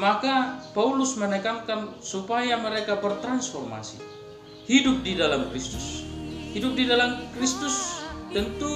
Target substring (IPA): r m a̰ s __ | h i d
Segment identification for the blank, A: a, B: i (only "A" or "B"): B